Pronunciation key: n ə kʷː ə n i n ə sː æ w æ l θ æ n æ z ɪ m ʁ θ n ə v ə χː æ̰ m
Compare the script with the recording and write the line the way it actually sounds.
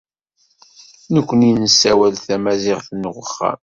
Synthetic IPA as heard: n ə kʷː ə n i n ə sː æ w æ l θ æ m æ z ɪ ʁ θ n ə ʁ ə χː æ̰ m

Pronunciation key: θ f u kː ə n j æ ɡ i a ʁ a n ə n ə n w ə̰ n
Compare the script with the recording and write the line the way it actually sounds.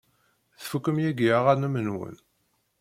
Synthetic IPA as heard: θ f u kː ə m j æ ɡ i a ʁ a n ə m ə n w ə̰ n

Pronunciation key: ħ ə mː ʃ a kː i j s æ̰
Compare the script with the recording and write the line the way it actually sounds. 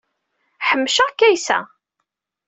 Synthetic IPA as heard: ħ ə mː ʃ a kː æ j s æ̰

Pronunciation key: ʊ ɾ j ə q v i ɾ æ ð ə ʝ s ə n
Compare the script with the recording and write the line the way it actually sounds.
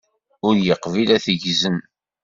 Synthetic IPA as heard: ʊ ɾ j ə q v i l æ θ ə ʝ z ə n

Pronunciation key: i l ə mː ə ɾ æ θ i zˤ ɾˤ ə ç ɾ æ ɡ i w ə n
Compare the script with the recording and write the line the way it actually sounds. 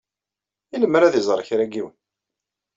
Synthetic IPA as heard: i l ə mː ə ɾ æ ð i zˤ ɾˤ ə ç ɾ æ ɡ i w ə n

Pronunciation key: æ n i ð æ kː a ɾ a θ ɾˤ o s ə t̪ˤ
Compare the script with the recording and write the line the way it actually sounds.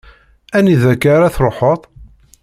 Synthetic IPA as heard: æ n i ð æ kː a ɾ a θ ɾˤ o ħ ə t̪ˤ

